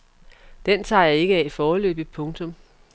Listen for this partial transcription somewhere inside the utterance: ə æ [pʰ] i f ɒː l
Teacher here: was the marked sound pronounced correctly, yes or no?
no